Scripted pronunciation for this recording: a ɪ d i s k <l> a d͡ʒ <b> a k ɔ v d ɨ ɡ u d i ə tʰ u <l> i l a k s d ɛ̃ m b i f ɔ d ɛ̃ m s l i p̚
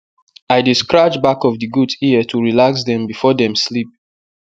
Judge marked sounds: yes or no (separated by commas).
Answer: no, yes, no